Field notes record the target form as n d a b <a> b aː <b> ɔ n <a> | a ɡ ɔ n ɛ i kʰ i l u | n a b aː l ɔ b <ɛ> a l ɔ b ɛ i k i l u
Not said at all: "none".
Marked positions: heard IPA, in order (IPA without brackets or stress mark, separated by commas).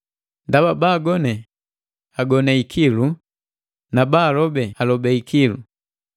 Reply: a, ɡ, ɛ, ɛ